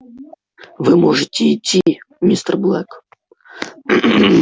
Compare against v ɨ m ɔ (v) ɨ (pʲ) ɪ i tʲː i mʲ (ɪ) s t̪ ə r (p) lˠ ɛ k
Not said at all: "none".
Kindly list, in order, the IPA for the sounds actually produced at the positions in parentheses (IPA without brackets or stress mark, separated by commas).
ʐ, tʲ, i, b